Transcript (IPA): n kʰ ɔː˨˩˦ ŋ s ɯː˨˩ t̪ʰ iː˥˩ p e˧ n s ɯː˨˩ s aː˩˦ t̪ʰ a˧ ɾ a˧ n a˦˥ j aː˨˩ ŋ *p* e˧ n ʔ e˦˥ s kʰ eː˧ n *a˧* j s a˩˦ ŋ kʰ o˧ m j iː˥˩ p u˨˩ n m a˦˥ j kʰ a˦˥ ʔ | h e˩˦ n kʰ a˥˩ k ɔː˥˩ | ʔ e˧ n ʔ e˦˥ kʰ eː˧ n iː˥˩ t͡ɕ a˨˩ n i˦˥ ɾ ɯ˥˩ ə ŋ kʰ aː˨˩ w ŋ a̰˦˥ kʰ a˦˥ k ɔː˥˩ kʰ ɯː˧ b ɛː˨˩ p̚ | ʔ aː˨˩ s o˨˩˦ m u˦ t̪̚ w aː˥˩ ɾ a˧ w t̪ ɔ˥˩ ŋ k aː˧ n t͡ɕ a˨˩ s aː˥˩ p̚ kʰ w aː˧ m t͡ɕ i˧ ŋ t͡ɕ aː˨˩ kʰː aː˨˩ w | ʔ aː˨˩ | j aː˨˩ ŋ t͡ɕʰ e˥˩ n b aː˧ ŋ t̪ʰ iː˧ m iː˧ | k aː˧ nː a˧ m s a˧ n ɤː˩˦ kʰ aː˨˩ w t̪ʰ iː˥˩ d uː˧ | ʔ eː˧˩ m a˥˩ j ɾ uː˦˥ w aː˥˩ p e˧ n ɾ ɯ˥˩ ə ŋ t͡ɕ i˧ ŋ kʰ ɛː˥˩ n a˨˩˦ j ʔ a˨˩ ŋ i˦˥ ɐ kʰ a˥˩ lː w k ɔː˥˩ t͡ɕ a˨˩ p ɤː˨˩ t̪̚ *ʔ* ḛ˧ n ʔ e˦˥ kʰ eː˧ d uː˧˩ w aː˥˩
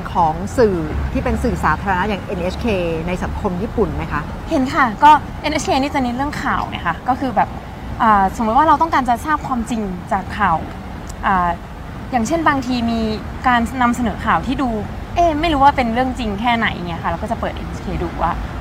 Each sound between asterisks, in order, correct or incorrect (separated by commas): incorrect, correct, correct